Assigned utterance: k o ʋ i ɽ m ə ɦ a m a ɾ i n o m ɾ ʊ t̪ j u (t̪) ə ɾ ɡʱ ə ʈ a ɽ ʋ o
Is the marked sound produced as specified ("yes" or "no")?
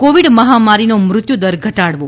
no